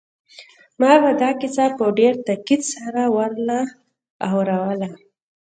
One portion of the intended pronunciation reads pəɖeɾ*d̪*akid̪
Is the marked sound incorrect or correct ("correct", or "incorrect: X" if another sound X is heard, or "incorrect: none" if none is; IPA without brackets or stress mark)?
incorrect: t̪